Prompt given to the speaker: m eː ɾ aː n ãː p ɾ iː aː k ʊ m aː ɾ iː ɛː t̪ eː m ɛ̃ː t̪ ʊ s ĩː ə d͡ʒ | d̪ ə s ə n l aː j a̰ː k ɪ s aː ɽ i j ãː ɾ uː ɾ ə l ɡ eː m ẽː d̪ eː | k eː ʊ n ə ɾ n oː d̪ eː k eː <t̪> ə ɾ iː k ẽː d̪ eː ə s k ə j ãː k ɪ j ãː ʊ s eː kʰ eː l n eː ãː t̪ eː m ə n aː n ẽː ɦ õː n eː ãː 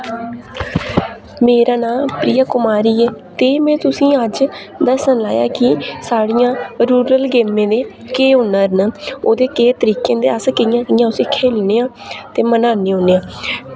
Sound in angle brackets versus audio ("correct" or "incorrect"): correct